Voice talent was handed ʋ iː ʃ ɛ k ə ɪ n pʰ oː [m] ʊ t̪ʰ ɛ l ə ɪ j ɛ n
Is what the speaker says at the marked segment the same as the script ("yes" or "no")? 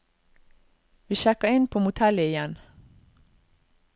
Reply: yes